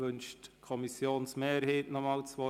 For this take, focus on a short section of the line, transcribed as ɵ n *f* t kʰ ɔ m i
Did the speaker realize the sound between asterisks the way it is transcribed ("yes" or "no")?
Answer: no